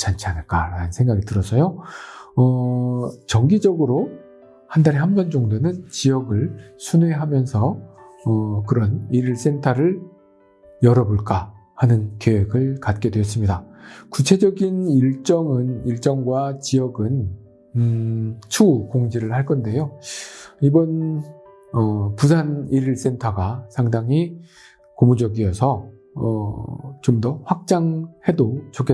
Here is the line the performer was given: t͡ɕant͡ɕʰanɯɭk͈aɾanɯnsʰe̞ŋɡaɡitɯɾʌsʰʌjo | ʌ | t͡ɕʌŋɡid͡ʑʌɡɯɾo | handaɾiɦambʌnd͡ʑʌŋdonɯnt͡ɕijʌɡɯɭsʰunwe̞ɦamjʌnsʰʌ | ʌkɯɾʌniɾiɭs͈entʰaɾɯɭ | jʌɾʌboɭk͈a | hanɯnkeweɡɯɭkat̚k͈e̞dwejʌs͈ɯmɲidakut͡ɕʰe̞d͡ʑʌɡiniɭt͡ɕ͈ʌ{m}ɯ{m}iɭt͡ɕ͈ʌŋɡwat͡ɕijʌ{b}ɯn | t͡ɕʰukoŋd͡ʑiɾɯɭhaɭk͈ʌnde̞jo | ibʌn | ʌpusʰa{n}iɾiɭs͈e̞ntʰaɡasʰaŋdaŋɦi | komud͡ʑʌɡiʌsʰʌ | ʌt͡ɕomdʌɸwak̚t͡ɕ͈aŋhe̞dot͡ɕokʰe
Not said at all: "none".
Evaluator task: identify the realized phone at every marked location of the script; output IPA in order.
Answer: ŋ, n, ɡ, n

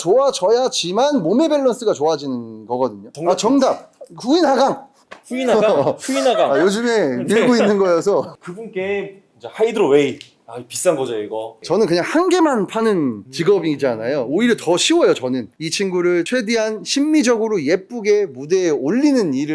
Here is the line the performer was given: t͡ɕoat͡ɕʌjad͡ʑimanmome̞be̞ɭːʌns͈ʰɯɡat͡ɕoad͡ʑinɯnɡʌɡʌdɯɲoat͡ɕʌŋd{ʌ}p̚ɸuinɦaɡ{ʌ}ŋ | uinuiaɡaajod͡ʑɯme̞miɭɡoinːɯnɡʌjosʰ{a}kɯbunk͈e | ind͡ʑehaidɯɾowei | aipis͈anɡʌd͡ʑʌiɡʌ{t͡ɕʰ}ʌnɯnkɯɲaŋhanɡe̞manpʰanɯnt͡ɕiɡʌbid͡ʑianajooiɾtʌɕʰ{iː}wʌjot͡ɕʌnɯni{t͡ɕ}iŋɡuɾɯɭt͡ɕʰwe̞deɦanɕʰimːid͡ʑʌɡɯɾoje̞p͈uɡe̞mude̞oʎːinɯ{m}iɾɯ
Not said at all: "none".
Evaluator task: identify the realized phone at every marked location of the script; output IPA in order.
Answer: a, a, ʌ, t͡ɕ, i, t͡ɕʰ, n

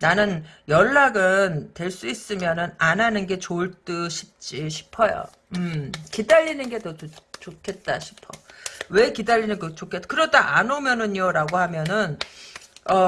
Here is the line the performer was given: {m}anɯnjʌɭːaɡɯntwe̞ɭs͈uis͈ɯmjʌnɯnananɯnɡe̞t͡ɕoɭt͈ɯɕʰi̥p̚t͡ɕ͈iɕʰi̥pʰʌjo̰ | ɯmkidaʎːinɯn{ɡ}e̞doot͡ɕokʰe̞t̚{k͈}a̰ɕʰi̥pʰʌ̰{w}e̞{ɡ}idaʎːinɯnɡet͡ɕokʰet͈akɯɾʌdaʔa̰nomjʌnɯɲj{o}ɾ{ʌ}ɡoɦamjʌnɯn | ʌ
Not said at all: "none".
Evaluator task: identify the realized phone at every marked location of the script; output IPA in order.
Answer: n, ɡ, t͈, w, k, o, a

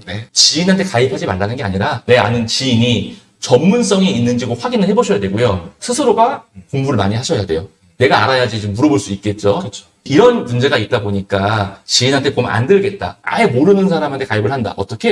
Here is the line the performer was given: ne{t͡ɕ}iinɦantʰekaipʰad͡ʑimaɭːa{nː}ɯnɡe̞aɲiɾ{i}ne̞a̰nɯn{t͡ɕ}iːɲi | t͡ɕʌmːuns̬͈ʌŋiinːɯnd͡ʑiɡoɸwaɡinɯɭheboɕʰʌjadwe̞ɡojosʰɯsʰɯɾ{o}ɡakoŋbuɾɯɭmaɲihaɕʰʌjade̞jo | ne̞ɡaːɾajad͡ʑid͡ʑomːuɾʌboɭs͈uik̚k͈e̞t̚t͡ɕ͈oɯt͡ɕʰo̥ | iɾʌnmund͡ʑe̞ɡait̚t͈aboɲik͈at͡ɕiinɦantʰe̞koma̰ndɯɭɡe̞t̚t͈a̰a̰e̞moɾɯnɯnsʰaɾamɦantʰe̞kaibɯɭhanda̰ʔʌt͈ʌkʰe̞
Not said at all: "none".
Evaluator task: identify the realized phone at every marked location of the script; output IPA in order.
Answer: t͡ɕ, n, a, t͡ɕ, o

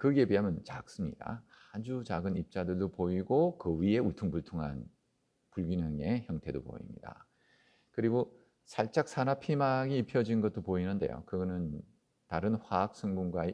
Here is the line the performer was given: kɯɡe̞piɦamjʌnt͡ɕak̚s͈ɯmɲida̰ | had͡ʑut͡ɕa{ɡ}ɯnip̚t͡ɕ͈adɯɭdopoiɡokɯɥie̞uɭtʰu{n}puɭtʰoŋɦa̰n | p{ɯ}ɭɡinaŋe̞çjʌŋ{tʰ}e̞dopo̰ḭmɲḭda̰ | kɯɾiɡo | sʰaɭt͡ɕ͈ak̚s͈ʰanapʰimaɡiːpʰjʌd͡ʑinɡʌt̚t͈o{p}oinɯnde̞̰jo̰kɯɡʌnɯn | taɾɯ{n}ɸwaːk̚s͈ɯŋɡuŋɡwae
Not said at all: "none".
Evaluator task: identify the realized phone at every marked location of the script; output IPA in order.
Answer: ɡ, ŋ, u, tʰ, p, n

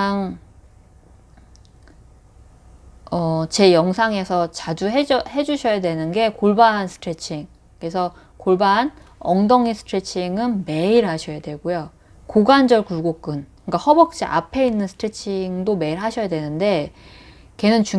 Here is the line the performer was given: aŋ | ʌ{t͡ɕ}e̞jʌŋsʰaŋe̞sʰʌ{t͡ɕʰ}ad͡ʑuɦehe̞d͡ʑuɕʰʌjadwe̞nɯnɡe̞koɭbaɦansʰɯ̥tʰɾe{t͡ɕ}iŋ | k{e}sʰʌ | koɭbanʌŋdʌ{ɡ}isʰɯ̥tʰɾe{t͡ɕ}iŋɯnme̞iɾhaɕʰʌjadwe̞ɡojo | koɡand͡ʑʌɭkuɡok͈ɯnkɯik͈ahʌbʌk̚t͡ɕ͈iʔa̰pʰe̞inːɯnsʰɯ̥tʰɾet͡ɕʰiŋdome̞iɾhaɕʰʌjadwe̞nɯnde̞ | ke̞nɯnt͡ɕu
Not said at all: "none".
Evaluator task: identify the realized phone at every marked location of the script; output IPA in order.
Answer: t͡ɕ, t͡ɕ, t͡ɕʰ, e, ŋ, t͡ɕʰ

